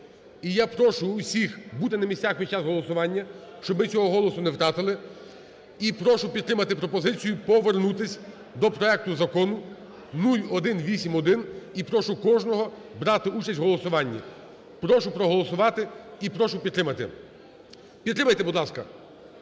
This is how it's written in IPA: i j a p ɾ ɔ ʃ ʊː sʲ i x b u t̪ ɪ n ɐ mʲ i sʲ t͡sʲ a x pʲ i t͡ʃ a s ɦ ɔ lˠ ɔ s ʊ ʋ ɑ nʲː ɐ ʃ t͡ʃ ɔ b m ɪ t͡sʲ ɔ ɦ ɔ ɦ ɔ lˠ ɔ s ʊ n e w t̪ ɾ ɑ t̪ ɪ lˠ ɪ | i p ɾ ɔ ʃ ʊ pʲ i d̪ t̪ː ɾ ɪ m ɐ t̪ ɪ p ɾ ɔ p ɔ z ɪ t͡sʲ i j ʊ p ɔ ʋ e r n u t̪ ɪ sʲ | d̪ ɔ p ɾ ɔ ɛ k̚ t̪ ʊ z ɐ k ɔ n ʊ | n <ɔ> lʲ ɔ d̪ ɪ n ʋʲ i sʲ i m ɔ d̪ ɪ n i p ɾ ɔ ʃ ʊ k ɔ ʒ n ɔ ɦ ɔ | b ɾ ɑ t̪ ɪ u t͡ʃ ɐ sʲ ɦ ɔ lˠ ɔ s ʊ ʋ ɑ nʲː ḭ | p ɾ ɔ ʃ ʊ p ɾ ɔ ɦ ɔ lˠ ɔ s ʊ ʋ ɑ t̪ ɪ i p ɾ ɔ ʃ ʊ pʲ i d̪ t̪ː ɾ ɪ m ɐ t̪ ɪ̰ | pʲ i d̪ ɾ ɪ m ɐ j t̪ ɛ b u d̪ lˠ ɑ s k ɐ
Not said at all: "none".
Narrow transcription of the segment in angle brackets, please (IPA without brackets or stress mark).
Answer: u